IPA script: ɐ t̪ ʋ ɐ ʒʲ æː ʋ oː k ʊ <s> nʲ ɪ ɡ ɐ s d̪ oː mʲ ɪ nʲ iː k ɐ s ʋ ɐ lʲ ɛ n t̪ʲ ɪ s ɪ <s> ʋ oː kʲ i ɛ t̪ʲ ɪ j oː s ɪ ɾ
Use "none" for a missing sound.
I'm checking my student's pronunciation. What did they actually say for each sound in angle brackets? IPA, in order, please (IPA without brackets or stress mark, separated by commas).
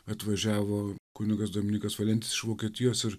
none, ʃ